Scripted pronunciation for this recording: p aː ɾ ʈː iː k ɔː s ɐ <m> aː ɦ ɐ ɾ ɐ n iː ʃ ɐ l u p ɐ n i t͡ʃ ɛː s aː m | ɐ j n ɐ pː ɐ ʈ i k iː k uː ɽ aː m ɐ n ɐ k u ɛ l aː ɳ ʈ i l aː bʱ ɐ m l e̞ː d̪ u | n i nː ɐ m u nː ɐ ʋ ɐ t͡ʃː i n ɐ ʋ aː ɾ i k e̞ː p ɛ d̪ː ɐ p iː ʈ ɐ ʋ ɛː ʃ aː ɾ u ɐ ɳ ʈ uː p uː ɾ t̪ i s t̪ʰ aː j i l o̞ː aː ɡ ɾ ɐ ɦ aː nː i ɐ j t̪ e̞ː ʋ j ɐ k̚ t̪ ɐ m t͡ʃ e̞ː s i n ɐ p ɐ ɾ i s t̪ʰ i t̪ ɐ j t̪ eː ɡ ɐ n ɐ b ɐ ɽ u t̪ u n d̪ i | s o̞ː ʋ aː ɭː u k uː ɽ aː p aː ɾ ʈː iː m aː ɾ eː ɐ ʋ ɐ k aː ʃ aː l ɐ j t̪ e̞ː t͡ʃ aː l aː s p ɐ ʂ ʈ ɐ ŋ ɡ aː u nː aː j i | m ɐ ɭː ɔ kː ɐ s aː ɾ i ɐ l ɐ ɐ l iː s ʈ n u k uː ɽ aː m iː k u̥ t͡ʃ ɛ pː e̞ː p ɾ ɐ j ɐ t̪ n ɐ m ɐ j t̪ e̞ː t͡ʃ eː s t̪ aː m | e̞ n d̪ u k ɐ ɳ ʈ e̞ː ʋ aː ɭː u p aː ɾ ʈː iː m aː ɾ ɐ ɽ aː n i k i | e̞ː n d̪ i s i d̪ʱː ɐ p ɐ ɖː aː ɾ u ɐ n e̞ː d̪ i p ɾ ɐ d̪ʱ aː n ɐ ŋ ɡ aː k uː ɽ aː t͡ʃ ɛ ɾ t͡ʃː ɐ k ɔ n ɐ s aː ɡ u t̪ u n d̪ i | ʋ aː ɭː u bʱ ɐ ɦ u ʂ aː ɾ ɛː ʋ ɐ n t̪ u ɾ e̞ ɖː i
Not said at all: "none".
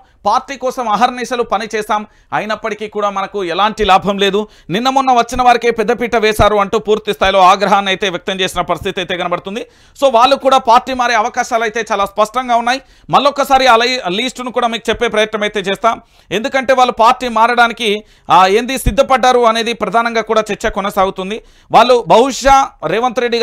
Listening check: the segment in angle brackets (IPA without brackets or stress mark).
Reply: m